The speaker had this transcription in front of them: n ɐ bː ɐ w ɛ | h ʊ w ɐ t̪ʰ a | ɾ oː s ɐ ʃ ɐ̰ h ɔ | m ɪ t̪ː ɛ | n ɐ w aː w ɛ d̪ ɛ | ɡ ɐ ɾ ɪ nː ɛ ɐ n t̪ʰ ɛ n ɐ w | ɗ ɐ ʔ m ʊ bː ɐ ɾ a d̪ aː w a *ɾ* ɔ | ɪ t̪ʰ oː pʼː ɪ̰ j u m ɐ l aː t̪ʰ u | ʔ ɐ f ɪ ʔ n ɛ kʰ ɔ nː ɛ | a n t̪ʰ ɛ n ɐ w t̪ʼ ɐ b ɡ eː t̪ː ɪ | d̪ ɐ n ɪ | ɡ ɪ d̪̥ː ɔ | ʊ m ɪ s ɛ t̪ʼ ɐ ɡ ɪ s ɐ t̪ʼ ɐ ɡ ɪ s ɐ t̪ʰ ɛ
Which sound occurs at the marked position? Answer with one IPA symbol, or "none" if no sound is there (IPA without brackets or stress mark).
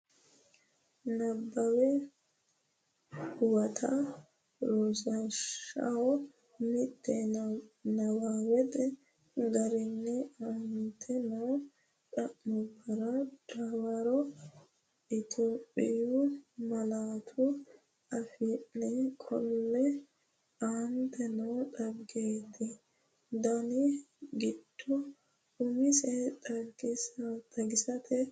ɾ